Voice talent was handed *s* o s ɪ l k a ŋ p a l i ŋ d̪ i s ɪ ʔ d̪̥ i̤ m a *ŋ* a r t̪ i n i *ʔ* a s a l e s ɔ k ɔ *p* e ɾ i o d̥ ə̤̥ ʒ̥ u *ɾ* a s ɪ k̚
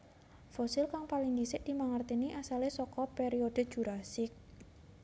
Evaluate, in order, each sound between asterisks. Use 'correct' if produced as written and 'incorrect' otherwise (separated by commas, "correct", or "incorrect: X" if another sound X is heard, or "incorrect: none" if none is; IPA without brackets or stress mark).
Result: incorrect: f, correct, correct, correct, correct